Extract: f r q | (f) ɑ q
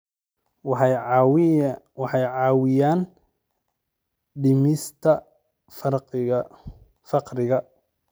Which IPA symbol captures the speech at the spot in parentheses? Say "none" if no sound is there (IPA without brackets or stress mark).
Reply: f